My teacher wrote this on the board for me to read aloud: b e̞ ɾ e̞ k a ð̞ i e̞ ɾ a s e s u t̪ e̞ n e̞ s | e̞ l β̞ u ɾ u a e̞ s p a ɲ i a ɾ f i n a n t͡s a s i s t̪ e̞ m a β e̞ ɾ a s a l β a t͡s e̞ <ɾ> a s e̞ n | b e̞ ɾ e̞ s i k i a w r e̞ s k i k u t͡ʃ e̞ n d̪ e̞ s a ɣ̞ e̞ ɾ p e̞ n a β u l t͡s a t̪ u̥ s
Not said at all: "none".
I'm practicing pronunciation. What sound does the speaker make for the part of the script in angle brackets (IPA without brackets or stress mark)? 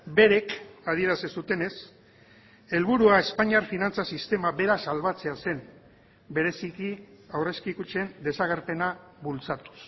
none